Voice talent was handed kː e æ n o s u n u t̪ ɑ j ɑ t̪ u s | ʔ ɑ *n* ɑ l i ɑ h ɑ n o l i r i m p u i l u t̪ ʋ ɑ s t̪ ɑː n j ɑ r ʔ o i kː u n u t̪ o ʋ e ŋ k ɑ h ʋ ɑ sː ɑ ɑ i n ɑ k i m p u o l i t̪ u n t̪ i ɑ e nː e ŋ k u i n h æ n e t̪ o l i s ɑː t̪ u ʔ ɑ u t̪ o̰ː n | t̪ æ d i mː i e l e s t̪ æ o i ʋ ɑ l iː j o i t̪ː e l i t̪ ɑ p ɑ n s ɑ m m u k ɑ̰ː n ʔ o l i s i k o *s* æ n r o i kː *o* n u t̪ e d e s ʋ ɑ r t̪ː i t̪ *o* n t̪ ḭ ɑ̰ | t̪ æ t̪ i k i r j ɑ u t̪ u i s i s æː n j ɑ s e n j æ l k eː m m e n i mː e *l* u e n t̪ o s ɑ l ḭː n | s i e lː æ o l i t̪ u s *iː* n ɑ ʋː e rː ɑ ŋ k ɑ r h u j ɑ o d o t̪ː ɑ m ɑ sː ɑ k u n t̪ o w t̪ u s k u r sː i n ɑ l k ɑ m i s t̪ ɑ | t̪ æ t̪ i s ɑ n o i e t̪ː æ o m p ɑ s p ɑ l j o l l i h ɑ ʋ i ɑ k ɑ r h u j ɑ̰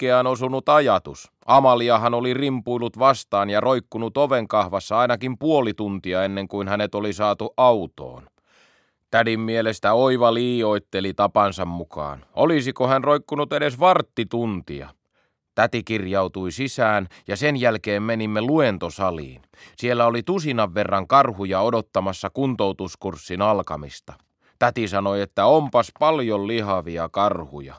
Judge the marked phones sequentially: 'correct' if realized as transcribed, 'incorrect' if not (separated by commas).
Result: incorrect, incorrect, incorrect, incorrect, correct, incorrect